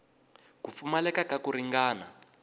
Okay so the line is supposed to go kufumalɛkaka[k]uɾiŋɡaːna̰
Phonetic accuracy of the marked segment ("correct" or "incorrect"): correct